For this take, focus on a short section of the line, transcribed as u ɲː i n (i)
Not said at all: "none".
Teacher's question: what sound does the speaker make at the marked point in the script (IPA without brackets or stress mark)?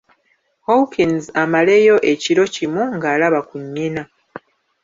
a